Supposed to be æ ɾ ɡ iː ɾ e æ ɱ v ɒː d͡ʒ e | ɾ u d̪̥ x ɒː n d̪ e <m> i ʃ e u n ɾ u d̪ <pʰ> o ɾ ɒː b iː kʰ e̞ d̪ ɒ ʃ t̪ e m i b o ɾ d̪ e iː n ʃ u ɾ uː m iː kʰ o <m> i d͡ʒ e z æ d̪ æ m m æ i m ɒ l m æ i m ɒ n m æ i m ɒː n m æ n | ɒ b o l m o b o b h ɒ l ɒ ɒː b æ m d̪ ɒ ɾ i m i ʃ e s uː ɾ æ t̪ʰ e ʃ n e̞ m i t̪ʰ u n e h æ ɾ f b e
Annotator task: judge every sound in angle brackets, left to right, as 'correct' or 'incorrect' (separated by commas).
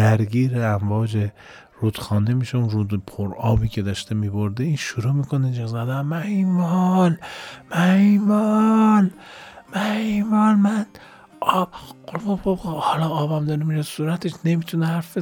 correct, correct, incorrect